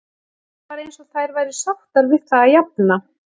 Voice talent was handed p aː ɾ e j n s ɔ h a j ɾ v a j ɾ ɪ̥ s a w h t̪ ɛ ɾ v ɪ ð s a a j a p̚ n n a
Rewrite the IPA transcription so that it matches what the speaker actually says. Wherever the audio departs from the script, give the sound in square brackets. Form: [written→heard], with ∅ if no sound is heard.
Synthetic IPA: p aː ɾ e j n s ɔ [h→θ] a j ɾ v a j ɾ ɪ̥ s a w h t̪ [ɛ→a] ɾ v ɪ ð [s→θ] a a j a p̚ n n a